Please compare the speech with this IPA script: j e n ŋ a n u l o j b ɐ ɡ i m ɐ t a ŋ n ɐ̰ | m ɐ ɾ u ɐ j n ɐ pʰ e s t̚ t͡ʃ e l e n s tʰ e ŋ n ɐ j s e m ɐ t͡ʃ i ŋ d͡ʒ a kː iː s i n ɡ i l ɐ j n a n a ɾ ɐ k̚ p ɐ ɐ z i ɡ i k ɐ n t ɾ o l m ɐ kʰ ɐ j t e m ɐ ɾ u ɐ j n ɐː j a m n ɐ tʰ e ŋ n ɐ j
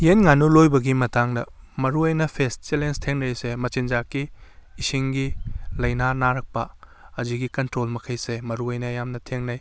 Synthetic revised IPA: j e n ŋ a n u l o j b ɐ ɡ i m ɐ t a ŋ d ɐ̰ | m ɐ ɾ u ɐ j n ɐ pʰ e s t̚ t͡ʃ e l e n s tʰ e ŋ n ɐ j s e m ɐ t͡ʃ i n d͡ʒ a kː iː s i ŋ ɡ i l ɐ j n a n a ɾ ɐ k̚ p ɐ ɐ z i ɡ i k ɐ n t ɾ o l m ɐ kʰ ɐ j s e m ɐ ɾ u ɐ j n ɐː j a m n ɐ tʰ e ŋ n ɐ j